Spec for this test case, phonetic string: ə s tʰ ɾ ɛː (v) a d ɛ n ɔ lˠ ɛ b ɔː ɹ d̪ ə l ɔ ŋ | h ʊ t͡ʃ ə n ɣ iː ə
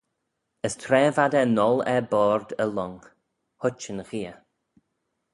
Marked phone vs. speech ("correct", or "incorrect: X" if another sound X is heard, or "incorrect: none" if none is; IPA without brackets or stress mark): correct